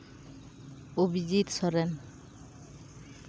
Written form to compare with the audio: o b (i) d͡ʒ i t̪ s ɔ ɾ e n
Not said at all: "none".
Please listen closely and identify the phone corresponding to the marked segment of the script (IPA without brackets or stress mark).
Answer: i